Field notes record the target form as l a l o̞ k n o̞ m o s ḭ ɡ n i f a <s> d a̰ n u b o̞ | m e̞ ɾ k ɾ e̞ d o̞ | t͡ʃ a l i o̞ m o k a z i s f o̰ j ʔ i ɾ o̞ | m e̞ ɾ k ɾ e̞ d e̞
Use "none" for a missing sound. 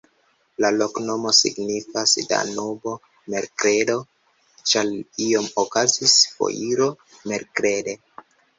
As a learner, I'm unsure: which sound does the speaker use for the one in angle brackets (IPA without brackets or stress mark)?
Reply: s